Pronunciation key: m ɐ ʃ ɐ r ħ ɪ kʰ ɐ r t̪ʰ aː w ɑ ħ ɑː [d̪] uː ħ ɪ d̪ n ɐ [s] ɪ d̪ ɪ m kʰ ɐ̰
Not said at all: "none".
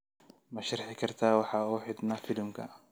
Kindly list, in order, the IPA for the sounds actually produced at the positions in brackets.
none, f

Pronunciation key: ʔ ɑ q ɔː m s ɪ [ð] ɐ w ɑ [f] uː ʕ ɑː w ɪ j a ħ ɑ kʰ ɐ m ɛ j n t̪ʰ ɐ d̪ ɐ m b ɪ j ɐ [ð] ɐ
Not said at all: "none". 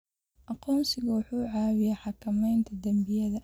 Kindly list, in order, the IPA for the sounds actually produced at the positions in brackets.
ɣ, ħ, ð

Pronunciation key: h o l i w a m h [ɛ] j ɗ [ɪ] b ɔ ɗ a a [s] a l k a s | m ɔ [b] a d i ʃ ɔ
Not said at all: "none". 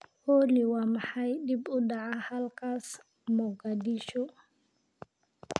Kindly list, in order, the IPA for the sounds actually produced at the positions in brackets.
a, i, h, ɡ

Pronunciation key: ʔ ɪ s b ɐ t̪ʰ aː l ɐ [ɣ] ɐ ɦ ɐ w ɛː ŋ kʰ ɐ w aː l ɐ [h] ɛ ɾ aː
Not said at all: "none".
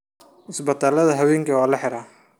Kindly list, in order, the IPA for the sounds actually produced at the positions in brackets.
ð, ħ

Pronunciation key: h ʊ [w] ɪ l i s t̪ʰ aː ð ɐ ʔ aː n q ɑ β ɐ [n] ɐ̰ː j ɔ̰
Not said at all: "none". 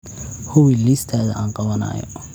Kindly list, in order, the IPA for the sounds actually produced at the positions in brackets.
w, n

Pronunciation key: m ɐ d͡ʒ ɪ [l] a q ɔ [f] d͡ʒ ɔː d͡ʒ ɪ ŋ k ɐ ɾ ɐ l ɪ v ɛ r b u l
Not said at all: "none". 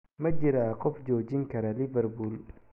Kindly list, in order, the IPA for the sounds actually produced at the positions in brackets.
ɾ, f

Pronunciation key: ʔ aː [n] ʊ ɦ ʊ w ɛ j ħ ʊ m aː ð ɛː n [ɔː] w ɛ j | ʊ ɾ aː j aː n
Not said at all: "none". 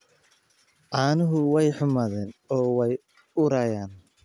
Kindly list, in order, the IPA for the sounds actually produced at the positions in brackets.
n, ɔː

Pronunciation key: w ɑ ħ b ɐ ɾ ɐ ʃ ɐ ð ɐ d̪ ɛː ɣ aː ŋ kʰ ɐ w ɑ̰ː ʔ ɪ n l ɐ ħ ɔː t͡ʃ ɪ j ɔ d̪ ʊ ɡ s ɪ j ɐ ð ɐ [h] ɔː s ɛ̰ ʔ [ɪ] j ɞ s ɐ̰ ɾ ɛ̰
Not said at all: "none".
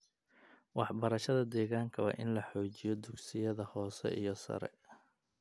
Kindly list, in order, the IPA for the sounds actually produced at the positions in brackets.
h, i

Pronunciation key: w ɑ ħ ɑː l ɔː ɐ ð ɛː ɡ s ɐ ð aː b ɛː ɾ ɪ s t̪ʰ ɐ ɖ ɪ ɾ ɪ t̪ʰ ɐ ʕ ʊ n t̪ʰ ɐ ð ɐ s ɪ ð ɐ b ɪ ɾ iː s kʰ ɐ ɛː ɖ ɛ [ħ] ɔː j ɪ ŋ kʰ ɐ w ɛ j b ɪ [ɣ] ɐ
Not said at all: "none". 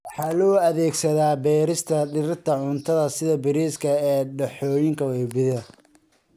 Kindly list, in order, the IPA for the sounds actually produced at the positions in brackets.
ħ, ð

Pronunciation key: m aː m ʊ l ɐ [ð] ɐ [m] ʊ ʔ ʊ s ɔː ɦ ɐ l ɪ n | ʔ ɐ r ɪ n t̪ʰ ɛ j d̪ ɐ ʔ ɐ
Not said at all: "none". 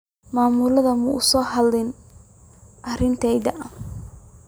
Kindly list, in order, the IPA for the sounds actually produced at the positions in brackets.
ð, m

